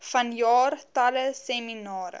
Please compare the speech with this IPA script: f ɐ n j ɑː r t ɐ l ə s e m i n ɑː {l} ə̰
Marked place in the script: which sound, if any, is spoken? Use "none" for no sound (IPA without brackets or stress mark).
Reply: ɾ